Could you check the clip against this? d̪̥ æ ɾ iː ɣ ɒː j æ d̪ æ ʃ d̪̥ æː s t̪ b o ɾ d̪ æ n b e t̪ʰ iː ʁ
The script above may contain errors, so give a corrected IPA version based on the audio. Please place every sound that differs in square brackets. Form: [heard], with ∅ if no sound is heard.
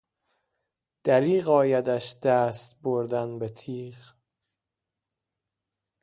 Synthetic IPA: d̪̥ æ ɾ iː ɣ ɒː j æ d̪ æ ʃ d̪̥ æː s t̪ b o ɾ d̪ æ n b e t̪ʰ iː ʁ